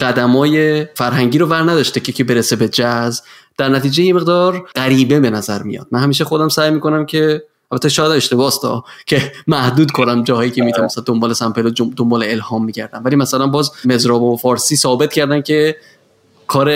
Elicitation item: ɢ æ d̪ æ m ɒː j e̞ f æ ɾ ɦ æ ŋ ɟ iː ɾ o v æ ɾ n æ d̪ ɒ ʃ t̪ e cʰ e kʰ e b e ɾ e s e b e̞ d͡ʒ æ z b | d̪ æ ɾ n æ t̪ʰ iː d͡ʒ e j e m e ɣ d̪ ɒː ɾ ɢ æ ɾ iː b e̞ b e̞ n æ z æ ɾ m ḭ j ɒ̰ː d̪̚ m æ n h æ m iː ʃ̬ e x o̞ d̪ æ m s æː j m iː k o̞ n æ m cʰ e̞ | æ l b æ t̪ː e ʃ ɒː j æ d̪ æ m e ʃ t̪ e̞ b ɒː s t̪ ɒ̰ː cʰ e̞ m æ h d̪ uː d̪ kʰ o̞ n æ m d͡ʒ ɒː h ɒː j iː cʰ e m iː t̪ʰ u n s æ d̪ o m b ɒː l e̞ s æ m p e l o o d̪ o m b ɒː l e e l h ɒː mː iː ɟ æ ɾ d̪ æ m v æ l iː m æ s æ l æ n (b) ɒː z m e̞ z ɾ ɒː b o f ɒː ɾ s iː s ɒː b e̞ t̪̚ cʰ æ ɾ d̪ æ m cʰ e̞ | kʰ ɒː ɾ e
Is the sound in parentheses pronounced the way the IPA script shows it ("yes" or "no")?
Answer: yes